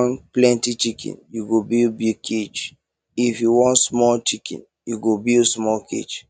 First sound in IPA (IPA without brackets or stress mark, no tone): n